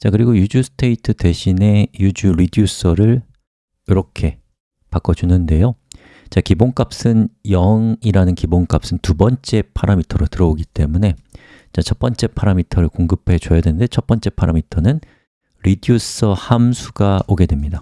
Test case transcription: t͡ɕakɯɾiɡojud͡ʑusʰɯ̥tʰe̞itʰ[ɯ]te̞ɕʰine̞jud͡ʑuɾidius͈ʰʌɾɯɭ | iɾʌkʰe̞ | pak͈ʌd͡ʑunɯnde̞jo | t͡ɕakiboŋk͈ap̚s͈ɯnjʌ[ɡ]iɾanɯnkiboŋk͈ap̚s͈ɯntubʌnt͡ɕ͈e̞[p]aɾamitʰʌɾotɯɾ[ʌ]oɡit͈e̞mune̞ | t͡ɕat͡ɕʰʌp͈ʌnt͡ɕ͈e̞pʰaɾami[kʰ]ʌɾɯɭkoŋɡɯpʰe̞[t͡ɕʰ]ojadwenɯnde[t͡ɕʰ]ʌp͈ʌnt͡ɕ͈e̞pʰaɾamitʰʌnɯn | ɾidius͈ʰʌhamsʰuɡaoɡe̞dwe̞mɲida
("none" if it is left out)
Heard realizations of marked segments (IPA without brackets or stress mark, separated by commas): ɯ, ŋ, pʰ, ʌ, tʰ, t͡ɕ, t͡ɕʰ